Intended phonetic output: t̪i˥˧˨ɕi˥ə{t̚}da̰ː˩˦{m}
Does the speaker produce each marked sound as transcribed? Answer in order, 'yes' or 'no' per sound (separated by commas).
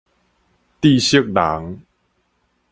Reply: no, no